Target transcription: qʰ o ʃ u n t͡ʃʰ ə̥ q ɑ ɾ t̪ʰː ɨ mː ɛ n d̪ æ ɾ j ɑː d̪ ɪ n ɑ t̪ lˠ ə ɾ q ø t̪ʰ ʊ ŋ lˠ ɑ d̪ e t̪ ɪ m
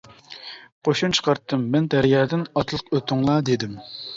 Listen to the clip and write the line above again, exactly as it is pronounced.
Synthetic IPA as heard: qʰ o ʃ u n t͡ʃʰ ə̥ q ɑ ɾ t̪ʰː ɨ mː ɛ n d̪ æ ɾ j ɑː d̪ ɪ n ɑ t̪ lˠ ə q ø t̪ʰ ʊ ŋ lˠ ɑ d̪ e d̪ ɪ m